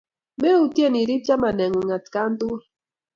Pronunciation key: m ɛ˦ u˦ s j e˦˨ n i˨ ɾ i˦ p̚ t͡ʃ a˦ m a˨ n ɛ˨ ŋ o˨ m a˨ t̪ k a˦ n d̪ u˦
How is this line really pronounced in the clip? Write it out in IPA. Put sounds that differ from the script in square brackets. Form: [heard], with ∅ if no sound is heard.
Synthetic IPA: m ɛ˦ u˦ [t] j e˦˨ n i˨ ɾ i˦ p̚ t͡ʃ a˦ m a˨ n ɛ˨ ŋ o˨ [ŋ] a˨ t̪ k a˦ n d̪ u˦